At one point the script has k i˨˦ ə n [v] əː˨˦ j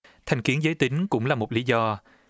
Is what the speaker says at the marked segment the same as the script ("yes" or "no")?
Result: no